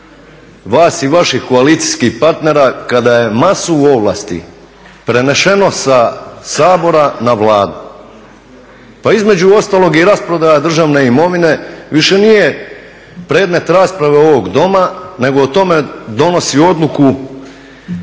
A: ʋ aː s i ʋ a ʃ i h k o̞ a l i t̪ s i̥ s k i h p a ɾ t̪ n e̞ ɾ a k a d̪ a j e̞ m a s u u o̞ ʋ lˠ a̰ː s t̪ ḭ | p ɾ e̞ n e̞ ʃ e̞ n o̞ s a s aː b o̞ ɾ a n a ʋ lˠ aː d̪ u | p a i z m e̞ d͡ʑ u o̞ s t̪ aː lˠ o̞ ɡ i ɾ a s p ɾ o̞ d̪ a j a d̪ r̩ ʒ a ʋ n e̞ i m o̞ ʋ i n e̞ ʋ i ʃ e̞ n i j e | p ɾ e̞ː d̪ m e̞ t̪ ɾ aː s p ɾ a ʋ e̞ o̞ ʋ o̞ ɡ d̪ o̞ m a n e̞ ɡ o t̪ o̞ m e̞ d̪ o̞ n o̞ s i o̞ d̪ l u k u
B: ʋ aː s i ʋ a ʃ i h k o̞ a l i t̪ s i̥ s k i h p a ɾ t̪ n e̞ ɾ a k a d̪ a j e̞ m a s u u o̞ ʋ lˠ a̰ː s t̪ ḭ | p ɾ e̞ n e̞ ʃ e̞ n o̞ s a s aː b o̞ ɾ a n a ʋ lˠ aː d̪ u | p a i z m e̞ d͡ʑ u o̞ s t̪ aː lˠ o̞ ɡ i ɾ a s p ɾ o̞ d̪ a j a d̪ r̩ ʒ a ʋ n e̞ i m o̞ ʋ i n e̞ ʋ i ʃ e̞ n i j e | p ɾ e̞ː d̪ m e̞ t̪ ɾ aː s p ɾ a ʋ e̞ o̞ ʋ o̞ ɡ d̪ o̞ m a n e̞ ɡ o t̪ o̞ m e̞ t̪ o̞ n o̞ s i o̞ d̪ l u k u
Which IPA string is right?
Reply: A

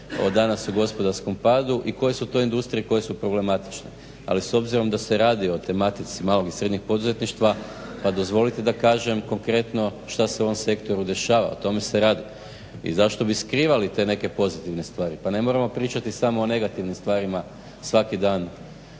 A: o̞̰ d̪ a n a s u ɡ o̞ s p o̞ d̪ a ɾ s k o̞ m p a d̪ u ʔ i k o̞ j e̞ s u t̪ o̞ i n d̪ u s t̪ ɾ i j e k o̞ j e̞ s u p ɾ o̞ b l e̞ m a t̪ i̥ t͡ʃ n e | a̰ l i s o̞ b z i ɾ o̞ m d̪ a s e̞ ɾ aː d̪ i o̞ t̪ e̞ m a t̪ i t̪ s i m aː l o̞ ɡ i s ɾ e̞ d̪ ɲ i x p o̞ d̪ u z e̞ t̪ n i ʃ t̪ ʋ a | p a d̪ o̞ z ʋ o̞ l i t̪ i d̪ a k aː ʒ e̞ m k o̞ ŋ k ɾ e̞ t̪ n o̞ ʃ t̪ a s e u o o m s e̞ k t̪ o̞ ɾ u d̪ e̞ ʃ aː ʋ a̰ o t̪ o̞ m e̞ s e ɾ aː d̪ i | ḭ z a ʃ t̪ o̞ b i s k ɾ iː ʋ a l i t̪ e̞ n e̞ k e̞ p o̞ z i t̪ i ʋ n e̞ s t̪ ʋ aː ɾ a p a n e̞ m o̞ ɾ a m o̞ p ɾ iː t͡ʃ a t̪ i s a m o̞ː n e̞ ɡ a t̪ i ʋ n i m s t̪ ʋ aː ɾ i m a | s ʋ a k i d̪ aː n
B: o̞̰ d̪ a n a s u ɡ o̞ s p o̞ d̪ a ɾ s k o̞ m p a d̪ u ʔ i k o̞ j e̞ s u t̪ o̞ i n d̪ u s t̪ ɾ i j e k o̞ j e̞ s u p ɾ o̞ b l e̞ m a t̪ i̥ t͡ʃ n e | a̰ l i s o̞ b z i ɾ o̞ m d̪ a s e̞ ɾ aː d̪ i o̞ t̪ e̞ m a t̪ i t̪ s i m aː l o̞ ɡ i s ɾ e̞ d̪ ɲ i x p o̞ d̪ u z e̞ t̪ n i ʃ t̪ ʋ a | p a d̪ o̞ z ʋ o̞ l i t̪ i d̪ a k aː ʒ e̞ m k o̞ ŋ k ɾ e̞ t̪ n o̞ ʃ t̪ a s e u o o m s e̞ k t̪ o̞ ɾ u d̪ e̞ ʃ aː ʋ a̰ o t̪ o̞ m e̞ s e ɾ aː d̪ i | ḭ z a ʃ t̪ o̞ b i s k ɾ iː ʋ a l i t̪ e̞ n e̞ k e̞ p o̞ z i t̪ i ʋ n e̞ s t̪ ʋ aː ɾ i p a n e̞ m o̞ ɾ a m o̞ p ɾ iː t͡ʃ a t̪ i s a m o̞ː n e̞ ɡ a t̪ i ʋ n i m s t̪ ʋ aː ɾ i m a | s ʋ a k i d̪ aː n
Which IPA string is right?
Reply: B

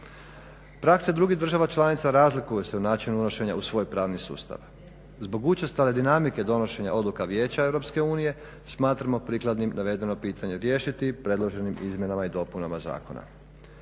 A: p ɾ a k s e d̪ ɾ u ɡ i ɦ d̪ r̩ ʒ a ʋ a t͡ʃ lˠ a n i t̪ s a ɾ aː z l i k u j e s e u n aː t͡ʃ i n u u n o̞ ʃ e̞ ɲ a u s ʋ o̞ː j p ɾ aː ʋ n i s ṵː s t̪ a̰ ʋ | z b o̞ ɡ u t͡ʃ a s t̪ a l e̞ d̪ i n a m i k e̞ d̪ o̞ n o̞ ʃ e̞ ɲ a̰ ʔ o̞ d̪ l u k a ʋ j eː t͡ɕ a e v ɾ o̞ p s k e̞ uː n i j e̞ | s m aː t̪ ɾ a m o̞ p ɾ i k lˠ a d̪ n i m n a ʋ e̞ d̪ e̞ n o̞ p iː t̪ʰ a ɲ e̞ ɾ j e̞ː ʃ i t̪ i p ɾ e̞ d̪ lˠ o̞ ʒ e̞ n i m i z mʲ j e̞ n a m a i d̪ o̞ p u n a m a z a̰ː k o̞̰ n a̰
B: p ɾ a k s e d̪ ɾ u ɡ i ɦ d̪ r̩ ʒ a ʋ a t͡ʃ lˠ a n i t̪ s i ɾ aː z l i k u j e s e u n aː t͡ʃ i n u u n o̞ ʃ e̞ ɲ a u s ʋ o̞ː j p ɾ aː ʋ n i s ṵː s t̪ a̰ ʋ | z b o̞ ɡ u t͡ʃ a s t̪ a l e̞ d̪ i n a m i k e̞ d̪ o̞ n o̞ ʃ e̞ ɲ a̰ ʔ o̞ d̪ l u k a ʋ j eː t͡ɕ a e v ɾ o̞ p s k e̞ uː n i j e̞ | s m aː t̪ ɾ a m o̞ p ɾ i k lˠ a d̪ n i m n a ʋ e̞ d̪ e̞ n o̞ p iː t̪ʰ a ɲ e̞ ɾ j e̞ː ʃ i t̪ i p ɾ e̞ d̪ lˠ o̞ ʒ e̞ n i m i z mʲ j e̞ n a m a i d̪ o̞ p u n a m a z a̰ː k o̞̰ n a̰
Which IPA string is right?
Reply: A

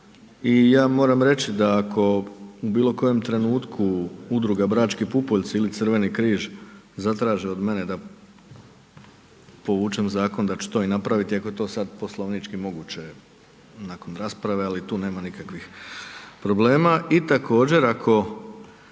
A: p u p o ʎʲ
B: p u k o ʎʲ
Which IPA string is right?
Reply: A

